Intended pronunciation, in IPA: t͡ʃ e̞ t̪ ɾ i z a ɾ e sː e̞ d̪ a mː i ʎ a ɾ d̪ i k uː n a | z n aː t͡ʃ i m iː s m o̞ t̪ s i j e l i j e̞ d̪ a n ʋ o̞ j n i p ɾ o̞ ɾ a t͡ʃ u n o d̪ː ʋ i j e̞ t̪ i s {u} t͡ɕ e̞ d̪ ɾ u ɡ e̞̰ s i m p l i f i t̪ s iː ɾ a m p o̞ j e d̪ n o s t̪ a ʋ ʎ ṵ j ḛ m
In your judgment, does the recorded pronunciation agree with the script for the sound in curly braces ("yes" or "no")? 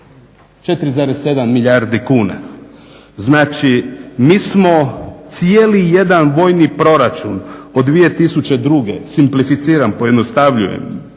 yes